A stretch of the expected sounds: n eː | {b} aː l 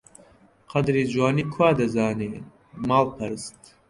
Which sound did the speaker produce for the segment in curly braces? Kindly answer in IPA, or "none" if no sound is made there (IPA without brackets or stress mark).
m